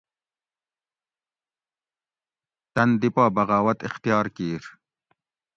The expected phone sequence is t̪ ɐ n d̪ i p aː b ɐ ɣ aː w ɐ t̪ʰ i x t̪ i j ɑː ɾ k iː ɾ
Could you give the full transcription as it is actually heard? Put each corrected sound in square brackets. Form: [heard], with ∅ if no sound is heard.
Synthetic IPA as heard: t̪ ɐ n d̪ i p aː b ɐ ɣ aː w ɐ [t̪] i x t̪ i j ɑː ɾ k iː ɾ